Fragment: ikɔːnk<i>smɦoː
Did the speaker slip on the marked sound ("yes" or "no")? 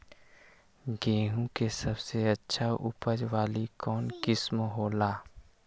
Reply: yes